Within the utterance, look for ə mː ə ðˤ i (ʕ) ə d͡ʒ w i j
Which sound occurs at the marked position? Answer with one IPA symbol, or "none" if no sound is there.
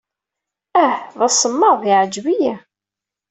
ʕ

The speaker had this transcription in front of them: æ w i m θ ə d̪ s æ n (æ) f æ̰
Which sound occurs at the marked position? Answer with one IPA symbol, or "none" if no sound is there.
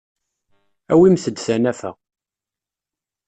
æ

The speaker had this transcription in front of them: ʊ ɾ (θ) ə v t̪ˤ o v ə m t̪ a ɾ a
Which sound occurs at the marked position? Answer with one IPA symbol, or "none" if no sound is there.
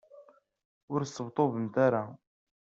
s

